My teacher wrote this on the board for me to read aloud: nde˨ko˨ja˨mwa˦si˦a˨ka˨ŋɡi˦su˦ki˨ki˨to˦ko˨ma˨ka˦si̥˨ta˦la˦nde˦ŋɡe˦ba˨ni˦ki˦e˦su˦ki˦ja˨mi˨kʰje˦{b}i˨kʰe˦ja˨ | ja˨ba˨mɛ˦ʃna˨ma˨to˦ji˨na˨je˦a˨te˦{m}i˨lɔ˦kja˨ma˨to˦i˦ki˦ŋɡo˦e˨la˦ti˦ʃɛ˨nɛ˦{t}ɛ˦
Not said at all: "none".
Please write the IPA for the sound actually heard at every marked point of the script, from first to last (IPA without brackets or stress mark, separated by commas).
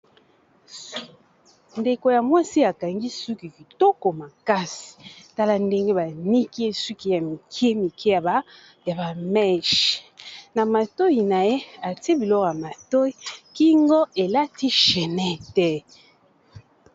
m, b, t